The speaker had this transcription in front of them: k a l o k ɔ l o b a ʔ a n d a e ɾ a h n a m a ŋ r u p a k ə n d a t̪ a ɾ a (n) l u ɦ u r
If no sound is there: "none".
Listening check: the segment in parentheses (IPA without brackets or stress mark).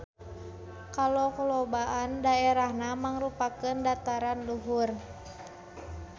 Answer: n